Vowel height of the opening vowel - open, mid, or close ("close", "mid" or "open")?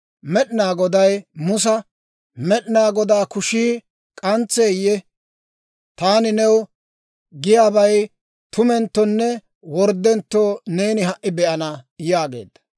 mid